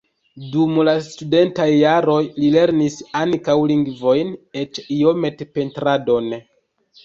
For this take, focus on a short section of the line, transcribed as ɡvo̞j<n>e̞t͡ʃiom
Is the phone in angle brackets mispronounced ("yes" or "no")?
no